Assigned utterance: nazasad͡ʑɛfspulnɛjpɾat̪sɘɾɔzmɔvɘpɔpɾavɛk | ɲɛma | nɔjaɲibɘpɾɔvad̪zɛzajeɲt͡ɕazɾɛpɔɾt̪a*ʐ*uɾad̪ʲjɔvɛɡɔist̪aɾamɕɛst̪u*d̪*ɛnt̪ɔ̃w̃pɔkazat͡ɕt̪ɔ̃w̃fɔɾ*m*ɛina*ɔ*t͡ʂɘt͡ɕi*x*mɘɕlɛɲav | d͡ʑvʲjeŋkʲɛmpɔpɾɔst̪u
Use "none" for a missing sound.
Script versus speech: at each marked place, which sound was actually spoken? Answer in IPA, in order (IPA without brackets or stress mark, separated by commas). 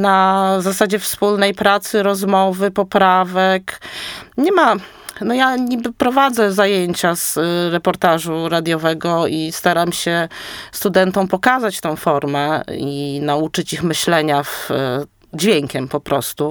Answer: ʐ, d̪, m, u, x